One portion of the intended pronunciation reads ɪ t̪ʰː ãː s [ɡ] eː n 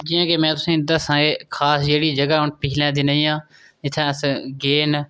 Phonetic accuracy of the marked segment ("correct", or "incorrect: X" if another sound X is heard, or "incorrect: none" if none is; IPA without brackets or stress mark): correct